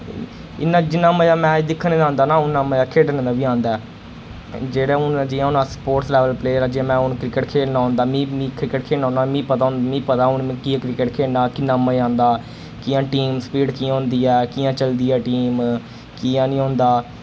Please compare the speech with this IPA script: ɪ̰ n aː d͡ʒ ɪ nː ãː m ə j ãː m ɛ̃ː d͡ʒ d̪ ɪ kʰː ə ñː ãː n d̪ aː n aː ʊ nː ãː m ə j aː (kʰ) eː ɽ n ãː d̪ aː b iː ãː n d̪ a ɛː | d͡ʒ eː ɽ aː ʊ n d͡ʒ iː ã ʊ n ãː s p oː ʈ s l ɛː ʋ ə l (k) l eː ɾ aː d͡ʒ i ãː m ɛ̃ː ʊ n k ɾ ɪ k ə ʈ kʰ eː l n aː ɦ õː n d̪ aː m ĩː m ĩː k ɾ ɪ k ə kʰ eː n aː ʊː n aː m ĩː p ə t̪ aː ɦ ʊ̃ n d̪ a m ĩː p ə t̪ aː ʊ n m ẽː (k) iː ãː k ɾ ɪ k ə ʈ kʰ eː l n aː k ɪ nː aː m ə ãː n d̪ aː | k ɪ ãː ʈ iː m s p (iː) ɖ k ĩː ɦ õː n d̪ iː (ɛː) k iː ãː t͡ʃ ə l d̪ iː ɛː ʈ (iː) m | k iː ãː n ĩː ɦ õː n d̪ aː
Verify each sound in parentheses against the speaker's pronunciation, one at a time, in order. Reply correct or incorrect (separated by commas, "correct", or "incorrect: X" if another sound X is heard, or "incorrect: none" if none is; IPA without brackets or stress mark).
correct, incorrect: p, correct, correct, correct, correct